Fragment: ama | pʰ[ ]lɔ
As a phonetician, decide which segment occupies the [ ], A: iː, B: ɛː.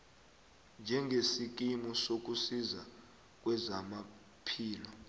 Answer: A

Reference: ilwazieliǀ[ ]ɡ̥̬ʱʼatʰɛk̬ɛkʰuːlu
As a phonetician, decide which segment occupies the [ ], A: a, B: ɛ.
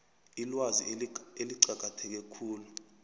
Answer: A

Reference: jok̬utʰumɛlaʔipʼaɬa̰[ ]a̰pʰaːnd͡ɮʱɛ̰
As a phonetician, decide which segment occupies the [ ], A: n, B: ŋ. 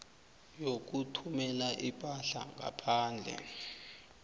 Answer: B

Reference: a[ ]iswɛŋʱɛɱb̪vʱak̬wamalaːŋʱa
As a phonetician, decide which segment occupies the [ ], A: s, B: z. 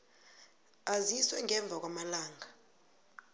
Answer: B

